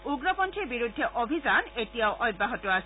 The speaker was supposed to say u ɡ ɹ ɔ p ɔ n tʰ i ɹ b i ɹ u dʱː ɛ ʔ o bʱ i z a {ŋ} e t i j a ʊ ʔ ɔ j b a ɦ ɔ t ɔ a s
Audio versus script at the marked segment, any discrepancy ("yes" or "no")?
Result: yes